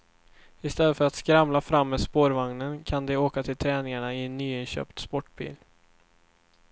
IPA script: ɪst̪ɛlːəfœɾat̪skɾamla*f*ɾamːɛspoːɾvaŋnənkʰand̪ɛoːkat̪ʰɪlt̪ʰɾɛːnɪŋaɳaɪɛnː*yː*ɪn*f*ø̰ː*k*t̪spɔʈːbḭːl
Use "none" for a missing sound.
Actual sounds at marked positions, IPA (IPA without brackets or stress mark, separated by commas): f, yː, ɕ, p